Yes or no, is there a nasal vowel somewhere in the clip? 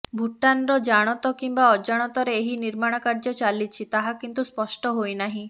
yes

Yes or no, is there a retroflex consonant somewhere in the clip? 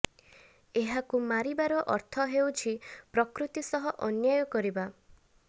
no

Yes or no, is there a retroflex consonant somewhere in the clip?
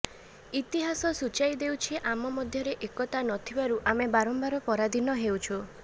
no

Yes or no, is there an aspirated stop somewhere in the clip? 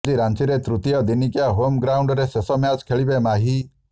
yes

